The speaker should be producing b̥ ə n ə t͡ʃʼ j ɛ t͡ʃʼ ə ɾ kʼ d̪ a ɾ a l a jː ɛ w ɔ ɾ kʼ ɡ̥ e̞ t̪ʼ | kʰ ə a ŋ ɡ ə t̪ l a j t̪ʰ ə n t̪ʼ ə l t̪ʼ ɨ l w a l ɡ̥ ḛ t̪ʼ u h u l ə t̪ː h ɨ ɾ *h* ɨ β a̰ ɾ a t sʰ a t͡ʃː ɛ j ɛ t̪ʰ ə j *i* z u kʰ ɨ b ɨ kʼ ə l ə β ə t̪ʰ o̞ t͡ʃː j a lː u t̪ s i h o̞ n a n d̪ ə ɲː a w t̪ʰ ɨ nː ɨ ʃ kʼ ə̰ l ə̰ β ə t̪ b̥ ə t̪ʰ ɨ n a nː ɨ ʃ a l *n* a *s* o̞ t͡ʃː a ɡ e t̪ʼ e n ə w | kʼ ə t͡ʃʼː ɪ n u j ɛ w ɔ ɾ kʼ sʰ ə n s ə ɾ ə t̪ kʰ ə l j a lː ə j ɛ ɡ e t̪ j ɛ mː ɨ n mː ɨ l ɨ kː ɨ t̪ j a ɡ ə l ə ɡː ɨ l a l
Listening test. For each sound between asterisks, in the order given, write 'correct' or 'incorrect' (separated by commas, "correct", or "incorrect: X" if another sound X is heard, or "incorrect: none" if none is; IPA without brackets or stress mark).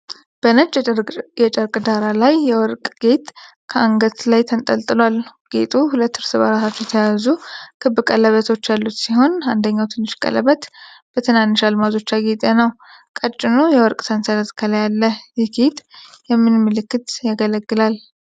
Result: incorrect: s, incorrect: a, incorrect: m, incorrect: z